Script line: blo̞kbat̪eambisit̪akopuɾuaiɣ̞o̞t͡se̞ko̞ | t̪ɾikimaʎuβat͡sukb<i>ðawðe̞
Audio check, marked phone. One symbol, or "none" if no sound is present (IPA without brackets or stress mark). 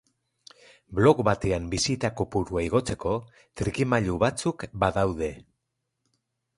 a